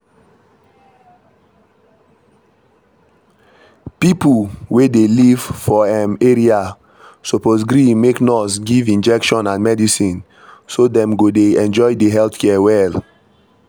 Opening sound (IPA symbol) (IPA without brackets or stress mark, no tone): p